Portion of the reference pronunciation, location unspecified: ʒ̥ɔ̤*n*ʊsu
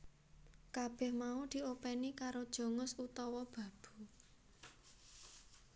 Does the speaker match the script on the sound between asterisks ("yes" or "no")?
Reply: no